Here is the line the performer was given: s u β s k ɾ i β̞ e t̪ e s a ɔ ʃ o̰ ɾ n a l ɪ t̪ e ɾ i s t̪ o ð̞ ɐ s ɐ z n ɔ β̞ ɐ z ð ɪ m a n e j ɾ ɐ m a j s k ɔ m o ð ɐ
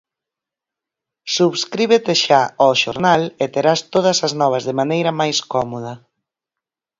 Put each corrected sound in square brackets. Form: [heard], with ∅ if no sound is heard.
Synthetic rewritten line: s u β s k ɾ i β̞ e t̪ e [ʃ] a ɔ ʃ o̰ ɾ n a l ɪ t̪ e ɾ [a] s t̪ o ð̞ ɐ s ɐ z n ɔ β̞ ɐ z ð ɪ m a n e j ɾ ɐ m a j s k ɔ m o ð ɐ

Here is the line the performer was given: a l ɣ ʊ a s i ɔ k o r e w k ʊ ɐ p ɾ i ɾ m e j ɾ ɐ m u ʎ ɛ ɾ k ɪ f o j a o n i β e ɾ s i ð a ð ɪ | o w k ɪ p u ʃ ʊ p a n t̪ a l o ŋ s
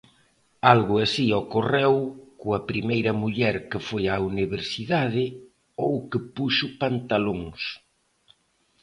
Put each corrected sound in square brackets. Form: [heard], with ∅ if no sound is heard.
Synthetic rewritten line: a l ɣ ʊ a s i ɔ k o r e w k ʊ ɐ p ɾ i [∅] m e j ɾ ɐ m u ʎ ɛ ɾ k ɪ f o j a [u] n i β e ɾ s i ð a ð ɪ | o w k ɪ p u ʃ ʊ p a n t̪ a l o ŋ s

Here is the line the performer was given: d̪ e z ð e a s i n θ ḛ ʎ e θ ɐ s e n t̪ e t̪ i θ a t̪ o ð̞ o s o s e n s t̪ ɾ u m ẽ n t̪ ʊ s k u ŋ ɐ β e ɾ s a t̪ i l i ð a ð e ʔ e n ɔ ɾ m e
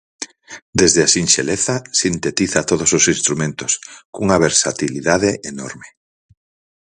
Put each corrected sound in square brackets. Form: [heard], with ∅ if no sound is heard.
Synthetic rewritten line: d̪ e z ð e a s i n [ʃ] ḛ [l] e θ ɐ s [i] n t̪ e t̪ i θ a t̪ o ð̞ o s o s [i] n s t̪ ɾ u m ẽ n t̪ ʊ s k u ŋ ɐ β e ɾ s a t̪ i l i ð a ð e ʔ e n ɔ ɾ m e

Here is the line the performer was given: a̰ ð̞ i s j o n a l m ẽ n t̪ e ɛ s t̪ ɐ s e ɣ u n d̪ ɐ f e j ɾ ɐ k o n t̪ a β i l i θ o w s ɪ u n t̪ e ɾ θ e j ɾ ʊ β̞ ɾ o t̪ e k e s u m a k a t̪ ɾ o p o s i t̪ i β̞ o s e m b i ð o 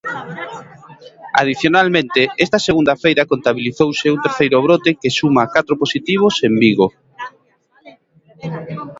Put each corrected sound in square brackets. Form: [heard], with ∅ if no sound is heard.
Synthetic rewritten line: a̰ ð̞ i [θ] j o n a l m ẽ n t̪ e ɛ s t̪ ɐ s e ɣ u n d̪ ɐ f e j ɾ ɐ k o n t̪ a β i l i θ o w s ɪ u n t̪ e ɾ θ e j ɾ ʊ β̞ ɾ o t̪ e k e s u m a k a t̪ ɾ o p o s i t̪ i β̞ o s e m b i [ɣ] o

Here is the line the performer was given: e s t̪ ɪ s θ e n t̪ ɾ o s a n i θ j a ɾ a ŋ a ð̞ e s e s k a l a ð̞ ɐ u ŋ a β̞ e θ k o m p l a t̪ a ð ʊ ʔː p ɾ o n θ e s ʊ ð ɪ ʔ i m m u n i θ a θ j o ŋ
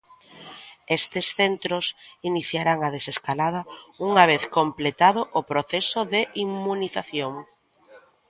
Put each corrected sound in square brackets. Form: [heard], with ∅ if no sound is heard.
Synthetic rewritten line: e s t̪ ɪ s θ e n t̪ ɾ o s [i] n i θ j a ɾ a ŋ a ð̞ e s e s k a l a ð̞ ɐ u ŋ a β̞ e θ k o m p l [e] t̪ a ð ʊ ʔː p ɾ o [∅] θ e s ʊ ð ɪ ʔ i m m u n i θ a θ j o ŋ

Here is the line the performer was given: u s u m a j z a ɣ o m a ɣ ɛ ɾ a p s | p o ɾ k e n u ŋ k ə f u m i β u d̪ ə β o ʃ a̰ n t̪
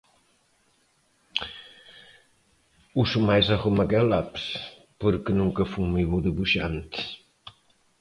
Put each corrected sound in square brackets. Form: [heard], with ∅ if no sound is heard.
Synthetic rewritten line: u s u m a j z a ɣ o m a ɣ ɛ [l] a p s | p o ɾ k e n u ŋ k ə f u m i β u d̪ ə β [u] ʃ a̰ n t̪

